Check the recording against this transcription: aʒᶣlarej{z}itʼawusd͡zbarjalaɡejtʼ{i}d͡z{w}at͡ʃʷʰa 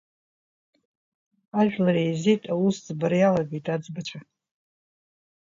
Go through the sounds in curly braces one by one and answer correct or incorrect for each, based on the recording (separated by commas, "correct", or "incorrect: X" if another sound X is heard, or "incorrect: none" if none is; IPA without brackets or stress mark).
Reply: correct, incorrect: a, incorrect: b